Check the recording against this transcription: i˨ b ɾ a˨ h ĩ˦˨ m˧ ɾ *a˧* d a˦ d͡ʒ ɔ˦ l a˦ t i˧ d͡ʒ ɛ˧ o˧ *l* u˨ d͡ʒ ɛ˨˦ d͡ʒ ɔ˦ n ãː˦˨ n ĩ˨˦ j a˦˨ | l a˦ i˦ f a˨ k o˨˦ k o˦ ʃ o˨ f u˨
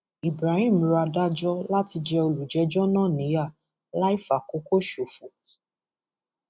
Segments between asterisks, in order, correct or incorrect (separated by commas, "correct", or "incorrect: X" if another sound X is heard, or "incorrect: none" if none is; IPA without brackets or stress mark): correct, correct